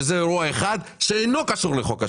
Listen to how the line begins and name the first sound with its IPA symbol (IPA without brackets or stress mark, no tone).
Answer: z